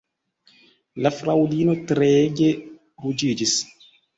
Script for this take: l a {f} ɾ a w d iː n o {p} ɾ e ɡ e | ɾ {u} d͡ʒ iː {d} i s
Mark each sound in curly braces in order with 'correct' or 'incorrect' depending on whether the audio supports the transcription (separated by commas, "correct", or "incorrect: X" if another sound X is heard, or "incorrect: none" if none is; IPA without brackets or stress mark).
correct, incorrect: t, correct, incorrect: d͡ʒ